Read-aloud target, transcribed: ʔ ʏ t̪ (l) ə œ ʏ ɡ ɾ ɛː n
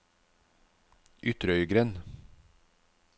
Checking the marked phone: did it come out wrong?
yes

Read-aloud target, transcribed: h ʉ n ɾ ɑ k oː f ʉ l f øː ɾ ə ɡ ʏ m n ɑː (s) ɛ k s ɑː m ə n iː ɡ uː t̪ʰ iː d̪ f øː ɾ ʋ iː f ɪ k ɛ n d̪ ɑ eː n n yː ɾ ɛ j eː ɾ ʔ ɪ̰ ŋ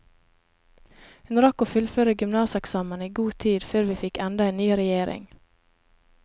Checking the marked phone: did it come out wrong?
no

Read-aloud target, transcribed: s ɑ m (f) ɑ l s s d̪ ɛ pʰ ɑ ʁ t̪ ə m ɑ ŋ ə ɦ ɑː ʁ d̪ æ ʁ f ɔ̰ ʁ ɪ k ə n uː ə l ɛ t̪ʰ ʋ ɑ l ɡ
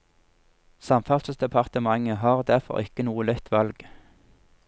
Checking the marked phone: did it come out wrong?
no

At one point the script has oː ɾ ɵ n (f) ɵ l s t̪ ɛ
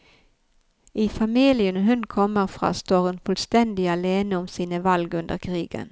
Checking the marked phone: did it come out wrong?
no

